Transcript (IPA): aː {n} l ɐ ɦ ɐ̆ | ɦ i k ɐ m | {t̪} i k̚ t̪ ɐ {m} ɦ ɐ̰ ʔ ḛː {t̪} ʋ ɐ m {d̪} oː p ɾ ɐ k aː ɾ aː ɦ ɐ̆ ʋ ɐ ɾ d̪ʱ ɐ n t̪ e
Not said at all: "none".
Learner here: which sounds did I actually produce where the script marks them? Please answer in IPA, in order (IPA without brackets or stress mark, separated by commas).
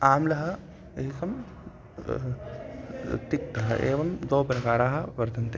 m, t̪, none, none, d̪